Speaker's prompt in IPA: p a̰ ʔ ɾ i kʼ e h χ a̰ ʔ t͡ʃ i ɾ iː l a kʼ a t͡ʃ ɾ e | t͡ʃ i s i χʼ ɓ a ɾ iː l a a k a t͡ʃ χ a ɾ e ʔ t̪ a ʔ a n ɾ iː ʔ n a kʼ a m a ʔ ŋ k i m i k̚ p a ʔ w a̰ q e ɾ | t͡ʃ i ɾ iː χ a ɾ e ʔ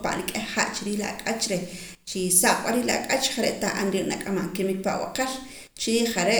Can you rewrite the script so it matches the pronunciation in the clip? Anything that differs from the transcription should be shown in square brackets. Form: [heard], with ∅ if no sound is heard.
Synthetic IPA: p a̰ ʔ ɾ i kʼ e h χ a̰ ʔ t͡ʃ i ɾ iː l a kʼ a t͡ʃ ɾ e | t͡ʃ i s [a] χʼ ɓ a ɾ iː l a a [kʼ] a t͡ʃ χ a ɾ e ʔ t̪ a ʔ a n ɾ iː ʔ n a kʼ a m a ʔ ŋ k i m i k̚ p a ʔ w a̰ q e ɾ | t͡ʃ i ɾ iː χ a ɾ e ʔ